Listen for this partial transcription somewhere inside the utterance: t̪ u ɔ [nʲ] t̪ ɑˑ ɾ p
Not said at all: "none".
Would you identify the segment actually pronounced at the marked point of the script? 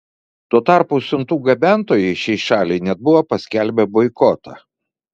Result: none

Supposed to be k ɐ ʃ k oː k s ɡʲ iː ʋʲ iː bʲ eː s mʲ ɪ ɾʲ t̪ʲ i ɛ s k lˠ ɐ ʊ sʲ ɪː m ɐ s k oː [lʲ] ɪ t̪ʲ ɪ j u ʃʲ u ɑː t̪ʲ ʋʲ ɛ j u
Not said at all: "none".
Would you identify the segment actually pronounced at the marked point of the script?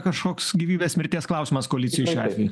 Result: lʲ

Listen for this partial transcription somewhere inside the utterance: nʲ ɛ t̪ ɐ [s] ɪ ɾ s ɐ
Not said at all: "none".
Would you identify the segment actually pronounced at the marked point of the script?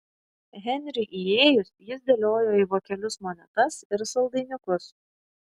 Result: s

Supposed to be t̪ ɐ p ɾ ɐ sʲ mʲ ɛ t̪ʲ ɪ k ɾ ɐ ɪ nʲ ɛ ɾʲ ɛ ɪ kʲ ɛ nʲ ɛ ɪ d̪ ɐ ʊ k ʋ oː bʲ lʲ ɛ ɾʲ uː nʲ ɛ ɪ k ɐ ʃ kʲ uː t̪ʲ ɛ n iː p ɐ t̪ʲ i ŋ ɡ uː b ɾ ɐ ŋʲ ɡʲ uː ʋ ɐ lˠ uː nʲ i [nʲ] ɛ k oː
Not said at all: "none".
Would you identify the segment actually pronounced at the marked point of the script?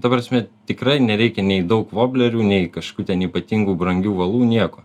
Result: none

